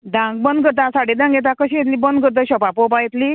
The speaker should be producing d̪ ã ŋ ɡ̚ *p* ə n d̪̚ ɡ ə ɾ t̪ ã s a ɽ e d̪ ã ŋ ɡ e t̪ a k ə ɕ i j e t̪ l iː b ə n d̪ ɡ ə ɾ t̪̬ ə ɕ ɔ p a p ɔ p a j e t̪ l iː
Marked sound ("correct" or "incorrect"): incorrect